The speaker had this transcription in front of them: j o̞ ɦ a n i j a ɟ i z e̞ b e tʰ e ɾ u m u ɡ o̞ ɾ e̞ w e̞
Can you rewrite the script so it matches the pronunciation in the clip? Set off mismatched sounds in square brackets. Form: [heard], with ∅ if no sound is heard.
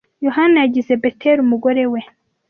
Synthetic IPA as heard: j o̞ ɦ a n [a] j a ɟ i z e̞ b e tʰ e ɾ u m u ɡ o̞ ɾ e̞ w e̞